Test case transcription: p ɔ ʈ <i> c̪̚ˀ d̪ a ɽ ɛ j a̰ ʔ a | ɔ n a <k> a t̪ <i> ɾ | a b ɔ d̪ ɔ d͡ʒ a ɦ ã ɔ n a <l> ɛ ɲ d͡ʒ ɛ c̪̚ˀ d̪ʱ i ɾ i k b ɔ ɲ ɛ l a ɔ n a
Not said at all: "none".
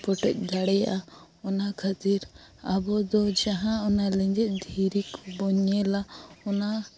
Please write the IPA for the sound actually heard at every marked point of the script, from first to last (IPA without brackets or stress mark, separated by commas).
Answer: ɛ, kʰ, i, l